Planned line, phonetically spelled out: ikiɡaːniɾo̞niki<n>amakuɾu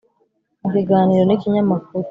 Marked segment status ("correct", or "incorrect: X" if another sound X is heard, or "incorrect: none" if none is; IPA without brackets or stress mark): incorrect: ɲ